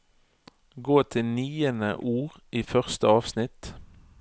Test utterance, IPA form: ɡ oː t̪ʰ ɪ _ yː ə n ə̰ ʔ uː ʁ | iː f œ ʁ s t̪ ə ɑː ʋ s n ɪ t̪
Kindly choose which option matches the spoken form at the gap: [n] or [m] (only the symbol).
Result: n